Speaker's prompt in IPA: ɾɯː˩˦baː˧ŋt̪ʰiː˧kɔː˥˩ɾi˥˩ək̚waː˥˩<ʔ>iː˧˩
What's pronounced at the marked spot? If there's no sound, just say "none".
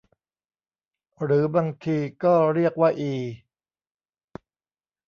ʔ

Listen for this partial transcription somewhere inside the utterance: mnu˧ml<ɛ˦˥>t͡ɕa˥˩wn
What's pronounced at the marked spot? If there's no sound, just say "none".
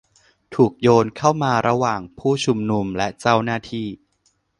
ɛ˦˥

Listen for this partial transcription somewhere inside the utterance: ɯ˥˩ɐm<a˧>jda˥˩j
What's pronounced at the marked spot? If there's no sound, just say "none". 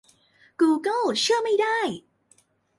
a˥˩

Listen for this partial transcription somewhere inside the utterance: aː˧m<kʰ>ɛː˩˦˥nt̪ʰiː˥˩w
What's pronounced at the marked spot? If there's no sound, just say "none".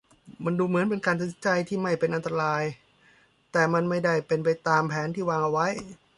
pʰ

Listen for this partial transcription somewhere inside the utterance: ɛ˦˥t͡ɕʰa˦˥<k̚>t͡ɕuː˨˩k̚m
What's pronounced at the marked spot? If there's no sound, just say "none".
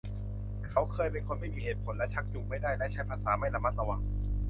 k̚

